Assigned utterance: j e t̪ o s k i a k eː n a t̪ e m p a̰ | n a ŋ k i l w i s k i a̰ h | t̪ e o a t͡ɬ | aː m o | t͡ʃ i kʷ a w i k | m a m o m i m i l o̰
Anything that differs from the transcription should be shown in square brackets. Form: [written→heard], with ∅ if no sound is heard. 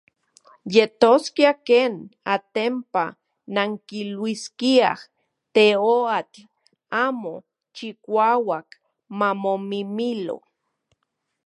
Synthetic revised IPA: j e t̪ o s k i a k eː n a t̪ e m p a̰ | n a ŋ k i l w i s k i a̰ h | t̪ e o a t͡ɬ | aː m o | t͡ʃ i kʷ a w [i→a] k | m a m o m i m i l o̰